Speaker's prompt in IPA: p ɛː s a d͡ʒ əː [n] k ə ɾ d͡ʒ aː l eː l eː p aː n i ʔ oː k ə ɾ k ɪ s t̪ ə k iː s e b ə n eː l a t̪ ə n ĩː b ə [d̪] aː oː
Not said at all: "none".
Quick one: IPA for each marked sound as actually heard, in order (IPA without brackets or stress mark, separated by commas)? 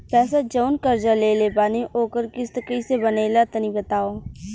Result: n, t̪